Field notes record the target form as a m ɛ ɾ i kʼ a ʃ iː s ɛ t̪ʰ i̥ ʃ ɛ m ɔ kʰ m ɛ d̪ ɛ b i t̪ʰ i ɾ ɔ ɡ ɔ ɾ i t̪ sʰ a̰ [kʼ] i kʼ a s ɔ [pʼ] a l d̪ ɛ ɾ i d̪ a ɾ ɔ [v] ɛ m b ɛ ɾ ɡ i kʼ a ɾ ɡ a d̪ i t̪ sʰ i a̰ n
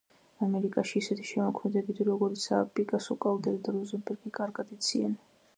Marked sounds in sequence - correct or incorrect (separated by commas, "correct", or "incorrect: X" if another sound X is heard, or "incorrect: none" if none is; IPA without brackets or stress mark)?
incorrect: pʼ, incorrect: kʼ, incorrect: z